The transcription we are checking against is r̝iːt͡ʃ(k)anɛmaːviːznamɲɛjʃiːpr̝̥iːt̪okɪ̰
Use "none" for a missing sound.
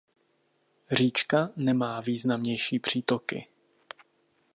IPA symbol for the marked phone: k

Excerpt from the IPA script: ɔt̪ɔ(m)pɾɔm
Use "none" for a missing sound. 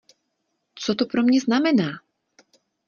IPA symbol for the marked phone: none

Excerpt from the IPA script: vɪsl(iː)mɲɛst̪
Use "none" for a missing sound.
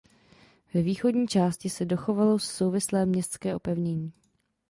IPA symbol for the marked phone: ɛː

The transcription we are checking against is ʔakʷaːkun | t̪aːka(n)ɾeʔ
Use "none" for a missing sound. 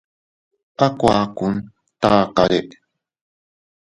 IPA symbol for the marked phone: none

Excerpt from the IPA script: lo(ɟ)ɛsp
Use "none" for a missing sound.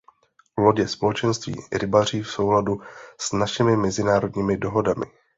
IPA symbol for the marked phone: ɟ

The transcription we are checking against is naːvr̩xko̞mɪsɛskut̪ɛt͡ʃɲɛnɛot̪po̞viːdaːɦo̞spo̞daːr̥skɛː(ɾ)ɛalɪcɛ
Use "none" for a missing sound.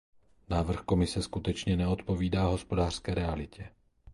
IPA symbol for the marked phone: ɾ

